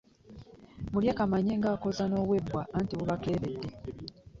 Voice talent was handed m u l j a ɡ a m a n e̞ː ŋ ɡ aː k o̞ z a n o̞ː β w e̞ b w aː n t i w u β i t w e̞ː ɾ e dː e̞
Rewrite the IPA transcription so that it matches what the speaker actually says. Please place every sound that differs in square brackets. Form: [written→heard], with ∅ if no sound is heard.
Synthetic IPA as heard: m u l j a [ɡ→k] a m a [n→ɲ] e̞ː ŋ ɡ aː k o̞ z a n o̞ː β w e̞ b w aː n t i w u β [i→a] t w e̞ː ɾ e dː e̞